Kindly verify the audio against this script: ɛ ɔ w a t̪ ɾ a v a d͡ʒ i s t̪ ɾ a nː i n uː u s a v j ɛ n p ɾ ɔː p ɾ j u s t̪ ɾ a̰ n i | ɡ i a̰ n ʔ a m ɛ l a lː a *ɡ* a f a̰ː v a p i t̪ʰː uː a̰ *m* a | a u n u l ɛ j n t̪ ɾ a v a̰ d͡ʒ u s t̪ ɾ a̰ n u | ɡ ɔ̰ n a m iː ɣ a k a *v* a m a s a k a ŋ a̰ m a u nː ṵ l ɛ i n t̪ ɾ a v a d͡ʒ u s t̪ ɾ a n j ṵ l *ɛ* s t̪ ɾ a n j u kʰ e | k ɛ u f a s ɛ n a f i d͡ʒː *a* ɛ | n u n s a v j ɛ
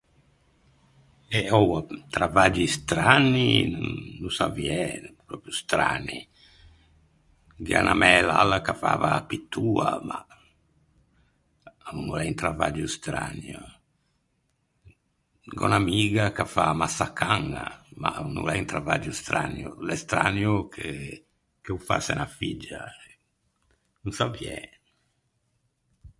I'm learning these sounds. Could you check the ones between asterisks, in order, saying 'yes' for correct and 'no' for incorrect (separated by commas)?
no, yes, no, yes, yes